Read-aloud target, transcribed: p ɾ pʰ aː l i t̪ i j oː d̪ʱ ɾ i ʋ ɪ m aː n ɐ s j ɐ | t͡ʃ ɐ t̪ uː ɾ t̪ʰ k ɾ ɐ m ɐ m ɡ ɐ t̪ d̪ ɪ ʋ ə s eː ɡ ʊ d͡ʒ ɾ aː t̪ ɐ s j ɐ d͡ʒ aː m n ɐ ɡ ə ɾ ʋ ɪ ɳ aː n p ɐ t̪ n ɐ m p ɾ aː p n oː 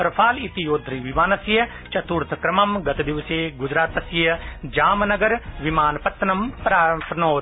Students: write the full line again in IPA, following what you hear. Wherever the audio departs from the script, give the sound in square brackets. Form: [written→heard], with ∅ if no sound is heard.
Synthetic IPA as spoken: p ɾ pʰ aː l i t̪ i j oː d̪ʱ ɾ i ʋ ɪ m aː n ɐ s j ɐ | t͡ʃ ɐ t̪ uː ɾ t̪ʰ k ɾ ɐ m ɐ m ɡ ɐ t̪ d̪ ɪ ʋ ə s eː ɡ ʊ d͡ʒ ɾ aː t̪ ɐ s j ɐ d͡ʒ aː m n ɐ ɡ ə ɾ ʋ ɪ [ɳ→m] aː n p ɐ t̪ n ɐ m p ɾ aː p n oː